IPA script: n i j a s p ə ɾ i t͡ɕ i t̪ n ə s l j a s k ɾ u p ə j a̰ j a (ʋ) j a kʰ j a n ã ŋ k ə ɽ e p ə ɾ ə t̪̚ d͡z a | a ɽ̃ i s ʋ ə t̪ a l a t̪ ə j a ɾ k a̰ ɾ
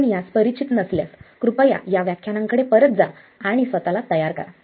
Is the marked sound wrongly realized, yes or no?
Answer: no